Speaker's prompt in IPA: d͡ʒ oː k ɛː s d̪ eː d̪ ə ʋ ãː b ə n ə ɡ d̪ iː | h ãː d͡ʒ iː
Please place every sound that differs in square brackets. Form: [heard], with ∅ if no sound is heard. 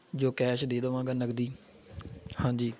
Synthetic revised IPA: d͡ʒ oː k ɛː [ʃ] d̪ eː d̪ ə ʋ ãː [ɡ] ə n ə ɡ d̪ iː | h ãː d͡ʒ iː